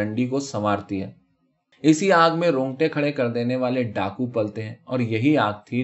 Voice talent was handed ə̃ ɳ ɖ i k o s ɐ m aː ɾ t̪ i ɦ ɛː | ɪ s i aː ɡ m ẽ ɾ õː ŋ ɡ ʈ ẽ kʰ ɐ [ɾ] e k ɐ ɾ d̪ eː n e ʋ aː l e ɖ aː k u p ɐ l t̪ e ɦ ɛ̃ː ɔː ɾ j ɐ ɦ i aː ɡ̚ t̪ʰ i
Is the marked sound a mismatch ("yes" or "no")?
yes